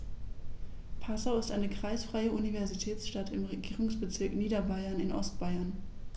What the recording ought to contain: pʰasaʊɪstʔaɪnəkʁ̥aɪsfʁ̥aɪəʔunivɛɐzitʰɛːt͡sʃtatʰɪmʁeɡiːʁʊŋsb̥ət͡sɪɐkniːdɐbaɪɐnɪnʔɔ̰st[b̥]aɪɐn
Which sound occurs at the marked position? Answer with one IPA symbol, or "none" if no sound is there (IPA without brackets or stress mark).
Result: b̥